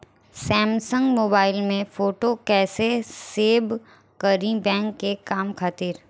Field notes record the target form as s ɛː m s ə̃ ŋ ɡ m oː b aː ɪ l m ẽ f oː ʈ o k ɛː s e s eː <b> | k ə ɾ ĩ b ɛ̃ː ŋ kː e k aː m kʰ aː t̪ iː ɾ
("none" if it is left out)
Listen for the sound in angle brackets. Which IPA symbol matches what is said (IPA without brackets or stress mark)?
b